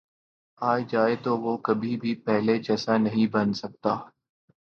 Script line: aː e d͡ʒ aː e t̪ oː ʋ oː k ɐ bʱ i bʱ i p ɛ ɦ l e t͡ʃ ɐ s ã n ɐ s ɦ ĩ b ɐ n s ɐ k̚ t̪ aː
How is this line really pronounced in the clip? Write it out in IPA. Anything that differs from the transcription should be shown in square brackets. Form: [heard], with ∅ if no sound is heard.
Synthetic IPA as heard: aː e d͡ʒ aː e t̪ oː ʋ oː k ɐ bʱ i bʱ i p ɛ ɦ l e t͡ʃ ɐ s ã n ɐ [∅] ɦ ĩ b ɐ n s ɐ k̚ t̪ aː